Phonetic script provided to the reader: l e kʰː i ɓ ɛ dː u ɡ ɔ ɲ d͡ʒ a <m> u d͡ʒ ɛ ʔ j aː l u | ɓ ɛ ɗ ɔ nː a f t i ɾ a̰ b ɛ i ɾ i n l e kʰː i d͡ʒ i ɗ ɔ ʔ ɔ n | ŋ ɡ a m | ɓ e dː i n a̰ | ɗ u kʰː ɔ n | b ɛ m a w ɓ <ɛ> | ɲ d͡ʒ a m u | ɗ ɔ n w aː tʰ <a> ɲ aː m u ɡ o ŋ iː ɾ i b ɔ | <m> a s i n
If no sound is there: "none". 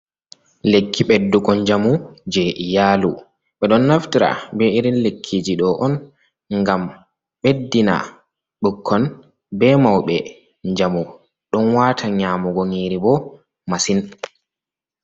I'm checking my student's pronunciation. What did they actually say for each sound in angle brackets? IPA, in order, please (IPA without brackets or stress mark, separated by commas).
m, ɛ, a, m